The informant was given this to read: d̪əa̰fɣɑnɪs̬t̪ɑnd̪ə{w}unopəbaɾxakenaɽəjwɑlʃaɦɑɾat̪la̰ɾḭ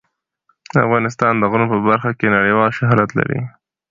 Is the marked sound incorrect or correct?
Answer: incorrect